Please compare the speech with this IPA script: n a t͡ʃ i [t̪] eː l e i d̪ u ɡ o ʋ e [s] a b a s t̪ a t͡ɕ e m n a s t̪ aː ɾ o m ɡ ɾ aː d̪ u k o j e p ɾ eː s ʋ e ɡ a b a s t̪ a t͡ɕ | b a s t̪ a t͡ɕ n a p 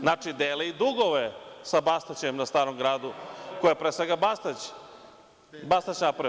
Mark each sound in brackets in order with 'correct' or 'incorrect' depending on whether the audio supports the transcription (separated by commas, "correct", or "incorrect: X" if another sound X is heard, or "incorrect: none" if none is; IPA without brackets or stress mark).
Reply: incorrect: d̪, correct